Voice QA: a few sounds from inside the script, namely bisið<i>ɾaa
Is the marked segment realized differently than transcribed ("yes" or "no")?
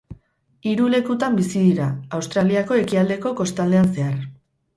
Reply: no